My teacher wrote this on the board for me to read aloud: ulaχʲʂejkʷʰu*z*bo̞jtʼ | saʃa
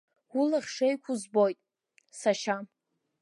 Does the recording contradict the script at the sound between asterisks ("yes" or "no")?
no